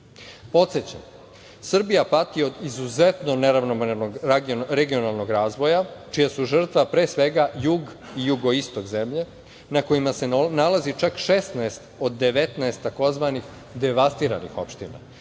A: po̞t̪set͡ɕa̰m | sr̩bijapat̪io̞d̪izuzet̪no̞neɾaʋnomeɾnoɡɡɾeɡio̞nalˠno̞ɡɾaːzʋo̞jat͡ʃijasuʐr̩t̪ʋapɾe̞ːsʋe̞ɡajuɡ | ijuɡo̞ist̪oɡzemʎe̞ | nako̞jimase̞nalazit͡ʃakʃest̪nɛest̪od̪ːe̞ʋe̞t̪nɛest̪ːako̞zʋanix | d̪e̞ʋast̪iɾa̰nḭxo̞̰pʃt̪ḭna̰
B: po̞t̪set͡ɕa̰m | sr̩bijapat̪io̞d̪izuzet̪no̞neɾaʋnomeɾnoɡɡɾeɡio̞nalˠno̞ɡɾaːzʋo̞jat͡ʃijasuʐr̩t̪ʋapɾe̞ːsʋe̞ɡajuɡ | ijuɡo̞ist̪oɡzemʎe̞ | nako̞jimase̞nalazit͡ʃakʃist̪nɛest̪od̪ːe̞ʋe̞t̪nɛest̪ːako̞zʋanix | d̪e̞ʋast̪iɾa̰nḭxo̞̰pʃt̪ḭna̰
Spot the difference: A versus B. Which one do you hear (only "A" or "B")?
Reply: A